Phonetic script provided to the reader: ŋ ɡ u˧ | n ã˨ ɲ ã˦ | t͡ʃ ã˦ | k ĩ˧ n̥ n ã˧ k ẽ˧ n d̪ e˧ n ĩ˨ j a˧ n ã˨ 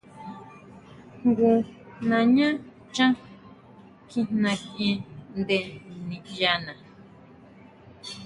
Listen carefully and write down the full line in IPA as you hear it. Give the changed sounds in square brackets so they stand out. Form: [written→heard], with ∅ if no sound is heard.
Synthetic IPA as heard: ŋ ɡ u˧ | n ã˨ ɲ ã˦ | t͡ʃ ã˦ | k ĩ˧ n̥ n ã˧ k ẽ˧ n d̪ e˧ n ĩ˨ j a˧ n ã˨

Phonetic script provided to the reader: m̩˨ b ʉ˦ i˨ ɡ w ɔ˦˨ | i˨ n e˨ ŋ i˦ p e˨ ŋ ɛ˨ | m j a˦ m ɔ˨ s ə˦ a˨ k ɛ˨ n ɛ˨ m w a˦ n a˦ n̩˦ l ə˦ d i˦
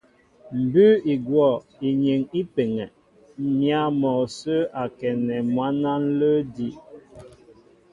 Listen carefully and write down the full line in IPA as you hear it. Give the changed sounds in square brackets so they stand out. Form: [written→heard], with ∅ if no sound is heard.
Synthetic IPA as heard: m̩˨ b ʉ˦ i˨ ɡ w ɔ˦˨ | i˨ [n→ɲ] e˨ ŋ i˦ p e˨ ŋ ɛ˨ | m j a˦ m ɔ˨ s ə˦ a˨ k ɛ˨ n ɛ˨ m w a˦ n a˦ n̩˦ l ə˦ d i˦

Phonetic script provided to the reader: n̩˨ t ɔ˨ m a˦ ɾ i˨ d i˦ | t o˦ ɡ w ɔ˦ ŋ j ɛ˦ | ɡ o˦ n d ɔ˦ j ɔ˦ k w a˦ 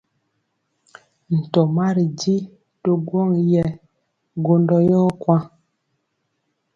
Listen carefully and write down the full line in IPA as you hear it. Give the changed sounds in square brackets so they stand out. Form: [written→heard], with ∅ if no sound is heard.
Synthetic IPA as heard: n̩˨ t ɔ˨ m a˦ ɾ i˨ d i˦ | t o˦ ɡ w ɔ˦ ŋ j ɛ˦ | ɡ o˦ n d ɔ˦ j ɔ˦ k w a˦

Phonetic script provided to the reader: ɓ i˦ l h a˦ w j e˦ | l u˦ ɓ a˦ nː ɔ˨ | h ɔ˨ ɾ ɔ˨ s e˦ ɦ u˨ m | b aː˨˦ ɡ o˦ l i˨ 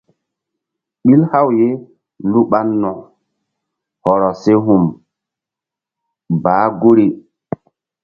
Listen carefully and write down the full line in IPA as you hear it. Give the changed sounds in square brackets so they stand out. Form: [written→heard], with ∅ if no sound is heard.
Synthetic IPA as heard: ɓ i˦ l h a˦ w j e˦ | l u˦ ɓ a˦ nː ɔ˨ | h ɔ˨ ɾ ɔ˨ s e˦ ɦ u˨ m | b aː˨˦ ɡ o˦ [l→ɾ] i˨

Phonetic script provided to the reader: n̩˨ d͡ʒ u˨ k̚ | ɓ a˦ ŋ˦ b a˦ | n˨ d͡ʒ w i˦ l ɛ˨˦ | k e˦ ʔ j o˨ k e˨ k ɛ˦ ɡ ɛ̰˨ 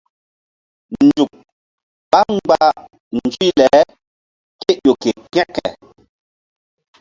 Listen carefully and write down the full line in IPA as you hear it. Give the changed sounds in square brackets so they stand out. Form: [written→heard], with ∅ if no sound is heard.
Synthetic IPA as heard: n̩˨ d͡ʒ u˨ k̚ | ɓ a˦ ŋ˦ [b→ɡ͡b] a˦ | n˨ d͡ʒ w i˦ l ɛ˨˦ | k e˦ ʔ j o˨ k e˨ k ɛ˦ [ɡ→k] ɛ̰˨

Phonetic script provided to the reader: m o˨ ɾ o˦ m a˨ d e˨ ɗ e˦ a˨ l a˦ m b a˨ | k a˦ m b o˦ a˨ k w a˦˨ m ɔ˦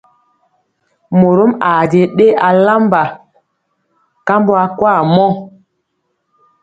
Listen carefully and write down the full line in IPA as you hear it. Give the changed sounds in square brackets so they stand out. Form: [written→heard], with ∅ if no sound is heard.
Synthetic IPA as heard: m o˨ ɾ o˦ m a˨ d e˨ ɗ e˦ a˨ l a˦ m b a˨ | k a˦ m b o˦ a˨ k w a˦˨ m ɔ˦

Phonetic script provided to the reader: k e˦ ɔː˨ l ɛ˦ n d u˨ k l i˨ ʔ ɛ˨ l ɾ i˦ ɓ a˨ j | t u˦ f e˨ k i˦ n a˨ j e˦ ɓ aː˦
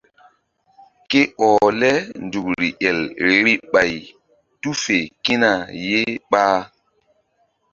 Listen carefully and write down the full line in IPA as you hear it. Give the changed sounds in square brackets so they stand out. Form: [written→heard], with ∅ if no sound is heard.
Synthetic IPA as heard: k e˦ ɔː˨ l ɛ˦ n d u˨ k [l→ɾ] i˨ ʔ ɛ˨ l ɾ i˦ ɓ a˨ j | t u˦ f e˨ k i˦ n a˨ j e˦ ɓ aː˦

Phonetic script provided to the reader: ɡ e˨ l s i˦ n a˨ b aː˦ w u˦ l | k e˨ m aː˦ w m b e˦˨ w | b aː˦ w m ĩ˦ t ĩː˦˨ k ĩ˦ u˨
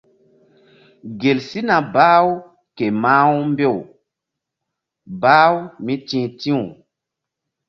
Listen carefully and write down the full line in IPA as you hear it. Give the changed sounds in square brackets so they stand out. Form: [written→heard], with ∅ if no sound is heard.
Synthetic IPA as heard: ɡ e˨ l s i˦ n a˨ b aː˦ w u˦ [l→∅] | k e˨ m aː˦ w m b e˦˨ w | b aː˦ w m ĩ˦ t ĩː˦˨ [k→t] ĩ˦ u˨

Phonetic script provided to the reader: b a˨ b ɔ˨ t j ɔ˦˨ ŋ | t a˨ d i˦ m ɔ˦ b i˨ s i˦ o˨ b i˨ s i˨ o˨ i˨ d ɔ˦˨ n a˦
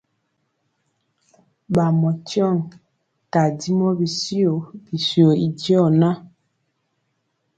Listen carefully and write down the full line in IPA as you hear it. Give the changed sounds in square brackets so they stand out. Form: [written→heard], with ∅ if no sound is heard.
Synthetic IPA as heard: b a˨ [b→m] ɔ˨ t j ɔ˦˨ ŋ | t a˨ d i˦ m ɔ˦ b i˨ s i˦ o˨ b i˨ s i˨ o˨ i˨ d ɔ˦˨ n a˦

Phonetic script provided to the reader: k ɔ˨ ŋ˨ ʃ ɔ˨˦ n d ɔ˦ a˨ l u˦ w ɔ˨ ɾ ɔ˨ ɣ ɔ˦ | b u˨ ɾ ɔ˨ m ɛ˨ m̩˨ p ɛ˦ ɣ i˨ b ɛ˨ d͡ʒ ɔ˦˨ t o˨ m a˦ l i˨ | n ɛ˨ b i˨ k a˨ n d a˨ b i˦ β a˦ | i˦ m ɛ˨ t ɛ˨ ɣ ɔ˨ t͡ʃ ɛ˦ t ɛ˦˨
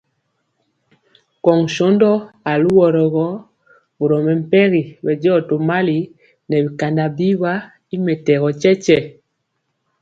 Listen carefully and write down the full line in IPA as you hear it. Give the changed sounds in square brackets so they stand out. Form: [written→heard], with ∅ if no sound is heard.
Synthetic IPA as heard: k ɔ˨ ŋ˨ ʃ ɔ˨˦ n d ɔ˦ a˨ l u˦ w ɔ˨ ɾ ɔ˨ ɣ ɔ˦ | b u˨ ɾ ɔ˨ m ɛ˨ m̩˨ p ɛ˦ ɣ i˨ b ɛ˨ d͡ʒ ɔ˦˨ t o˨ m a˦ l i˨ | n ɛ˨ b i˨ k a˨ n d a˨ b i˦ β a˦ | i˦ m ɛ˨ t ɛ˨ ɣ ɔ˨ t͡ʃ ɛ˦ [t→t͡ʃ] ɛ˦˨

